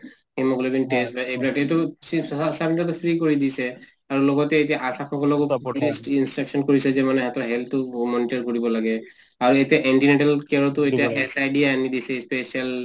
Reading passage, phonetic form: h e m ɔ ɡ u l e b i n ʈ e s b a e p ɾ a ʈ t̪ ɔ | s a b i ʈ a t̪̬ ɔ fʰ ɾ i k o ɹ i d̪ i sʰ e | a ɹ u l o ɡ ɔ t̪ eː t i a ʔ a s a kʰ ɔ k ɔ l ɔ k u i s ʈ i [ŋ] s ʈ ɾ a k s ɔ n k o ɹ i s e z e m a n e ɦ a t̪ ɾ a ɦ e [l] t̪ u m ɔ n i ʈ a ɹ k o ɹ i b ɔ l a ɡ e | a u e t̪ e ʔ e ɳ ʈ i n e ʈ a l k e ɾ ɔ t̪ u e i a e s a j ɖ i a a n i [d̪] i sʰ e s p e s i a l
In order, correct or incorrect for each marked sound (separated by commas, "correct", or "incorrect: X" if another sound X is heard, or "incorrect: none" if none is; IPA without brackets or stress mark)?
incorrect: n, correct, correct